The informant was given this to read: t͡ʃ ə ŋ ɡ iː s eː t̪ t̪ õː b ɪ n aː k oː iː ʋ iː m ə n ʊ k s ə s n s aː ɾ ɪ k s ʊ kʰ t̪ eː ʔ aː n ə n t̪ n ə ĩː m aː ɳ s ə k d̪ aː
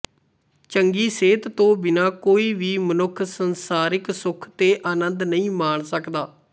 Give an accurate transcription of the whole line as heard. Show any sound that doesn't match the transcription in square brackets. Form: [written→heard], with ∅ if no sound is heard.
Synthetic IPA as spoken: t͡ʃ ə ŋ ɡ iː s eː t̪ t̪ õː b ɪ n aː k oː iː ʋ iː m ə n ʊ [k→kʰ] s ə [s→∅] n s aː ɾ ɪ k s ʊ kʰ t̪ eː ʔ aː n ə n [t̪→d̪] n ə ĩː m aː ɳ s ə k d̪ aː